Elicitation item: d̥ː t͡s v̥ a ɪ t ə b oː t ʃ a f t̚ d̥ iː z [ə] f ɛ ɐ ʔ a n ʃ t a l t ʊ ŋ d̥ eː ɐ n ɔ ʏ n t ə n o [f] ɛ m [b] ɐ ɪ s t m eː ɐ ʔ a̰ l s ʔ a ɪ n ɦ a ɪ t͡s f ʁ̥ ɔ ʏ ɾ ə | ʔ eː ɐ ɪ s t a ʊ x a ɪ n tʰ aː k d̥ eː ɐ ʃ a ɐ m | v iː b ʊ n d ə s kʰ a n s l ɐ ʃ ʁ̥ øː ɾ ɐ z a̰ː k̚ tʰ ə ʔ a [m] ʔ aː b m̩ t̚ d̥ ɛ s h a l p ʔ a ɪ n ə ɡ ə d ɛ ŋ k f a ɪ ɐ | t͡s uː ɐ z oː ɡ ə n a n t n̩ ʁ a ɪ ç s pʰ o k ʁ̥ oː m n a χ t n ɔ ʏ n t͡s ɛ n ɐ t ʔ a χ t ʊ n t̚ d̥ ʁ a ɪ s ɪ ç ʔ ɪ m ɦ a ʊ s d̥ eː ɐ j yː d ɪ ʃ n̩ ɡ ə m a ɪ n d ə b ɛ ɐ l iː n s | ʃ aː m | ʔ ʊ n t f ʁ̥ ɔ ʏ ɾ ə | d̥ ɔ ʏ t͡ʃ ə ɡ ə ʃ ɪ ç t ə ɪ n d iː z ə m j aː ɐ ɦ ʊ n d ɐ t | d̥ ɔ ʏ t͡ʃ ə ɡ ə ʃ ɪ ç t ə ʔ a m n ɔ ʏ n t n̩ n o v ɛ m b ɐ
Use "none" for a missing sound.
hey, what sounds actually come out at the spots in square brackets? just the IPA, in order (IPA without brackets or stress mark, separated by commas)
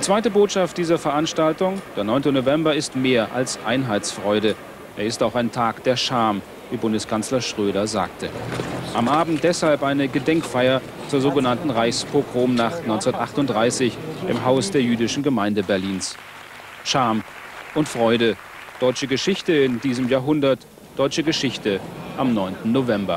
ɐ, v, b, m